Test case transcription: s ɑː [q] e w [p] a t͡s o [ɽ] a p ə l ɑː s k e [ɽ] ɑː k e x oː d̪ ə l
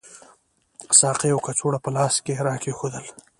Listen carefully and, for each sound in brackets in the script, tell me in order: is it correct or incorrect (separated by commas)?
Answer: correct, incorrect, correct, incorrect